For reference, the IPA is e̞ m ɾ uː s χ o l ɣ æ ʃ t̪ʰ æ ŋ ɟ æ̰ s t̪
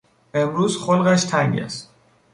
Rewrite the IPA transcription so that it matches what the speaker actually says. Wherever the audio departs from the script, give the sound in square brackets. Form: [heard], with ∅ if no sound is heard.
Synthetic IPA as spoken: e̞ m ɾ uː [z] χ o l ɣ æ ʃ t̪ʰ æ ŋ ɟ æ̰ s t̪